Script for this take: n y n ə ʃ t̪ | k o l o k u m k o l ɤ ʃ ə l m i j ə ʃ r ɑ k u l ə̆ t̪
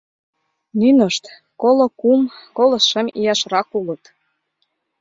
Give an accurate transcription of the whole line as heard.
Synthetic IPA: n y n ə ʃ t̪ | k o l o k u m k o l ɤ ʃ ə m i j ɑ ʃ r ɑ k u l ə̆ t̪

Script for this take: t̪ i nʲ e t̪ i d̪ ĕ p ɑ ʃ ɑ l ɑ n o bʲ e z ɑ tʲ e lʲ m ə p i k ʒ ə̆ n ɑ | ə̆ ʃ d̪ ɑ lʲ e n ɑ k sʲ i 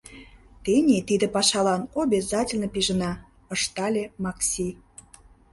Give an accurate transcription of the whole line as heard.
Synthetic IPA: t̪ e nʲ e t̪ i d̪ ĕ p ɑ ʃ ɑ l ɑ n o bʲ e z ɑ tʲ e lʲ n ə p i ʒ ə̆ n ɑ | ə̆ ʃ t̪ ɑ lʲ e m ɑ k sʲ i

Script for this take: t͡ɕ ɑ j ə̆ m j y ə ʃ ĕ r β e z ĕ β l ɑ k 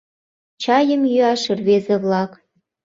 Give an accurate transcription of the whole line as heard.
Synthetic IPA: t͡ɕ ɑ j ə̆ m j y ɑ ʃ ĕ r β e z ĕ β l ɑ k

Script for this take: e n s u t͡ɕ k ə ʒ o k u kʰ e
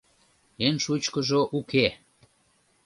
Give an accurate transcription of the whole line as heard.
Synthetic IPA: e n ʃ u t͡ɕ k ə ʒ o ʔ u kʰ e

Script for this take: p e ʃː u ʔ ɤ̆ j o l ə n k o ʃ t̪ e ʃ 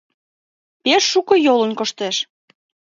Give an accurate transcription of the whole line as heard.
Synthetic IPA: p e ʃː u k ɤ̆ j o l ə n k o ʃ t̪ e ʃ

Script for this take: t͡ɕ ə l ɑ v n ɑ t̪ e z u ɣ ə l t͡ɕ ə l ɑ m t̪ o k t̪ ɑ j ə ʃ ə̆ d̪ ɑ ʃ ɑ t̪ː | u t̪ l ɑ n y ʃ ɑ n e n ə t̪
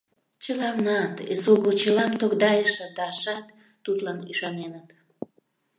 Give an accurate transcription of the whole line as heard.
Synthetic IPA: t͡ɕ ə l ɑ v n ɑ t̪ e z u ɣ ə l t͡ɕ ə l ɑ m t̪ o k d̪ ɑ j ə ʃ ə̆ d̪ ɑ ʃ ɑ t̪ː | u t̪ l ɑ n y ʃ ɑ n e n ə t̪

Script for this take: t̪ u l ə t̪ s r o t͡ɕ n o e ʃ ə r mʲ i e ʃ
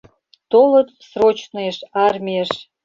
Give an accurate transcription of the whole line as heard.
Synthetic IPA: t̪ o l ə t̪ s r o t͡ɕ n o e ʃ ɑ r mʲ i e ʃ

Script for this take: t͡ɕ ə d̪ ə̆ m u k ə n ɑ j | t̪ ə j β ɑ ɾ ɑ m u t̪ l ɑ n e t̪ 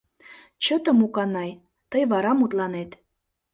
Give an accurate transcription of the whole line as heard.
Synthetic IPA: t͡ɕ ə t̪ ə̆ m u k ɑ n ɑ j | t̪ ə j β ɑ ɾ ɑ m u t̪ l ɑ n e t̪

